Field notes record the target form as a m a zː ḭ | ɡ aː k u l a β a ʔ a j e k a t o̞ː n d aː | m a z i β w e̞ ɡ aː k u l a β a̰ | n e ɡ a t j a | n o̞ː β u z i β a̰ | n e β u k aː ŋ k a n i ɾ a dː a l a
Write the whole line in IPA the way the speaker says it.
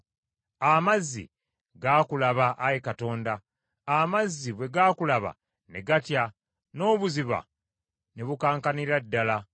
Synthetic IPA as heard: a m a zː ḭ | ɡ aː k u l a β a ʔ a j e k a t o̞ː n d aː | m a zː i β w e̞ ɡ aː k u l a β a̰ | n e ɡ a t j a | n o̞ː β u z i β a̰ | n e β u k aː ŋ k a n i ɾ a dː a l a